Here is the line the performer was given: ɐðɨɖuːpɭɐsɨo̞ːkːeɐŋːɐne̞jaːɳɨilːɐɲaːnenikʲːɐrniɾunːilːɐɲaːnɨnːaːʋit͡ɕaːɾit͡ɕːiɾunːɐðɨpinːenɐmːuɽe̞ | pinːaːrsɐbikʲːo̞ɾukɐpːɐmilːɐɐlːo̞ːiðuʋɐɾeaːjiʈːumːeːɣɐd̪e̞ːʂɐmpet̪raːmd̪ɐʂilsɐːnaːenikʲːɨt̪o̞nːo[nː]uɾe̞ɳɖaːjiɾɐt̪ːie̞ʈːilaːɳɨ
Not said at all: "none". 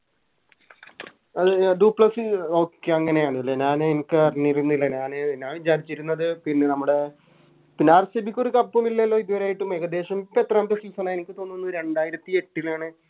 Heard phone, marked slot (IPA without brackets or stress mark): nː